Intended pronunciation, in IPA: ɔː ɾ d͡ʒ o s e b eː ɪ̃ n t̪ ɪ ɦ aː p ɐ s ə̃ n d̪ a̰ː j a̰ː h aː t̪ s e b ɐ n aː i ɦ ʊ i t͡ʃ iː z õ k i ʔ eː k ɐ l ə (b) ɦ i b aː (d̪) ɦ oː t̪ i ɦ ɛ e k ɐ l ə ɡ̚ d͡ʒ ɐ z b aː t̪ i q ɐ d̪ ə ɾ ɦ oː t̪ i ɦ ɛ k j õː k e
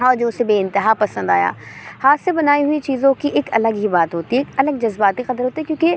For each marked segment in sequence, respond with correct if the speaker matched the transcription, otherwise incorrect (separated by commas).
incorrect, incorrect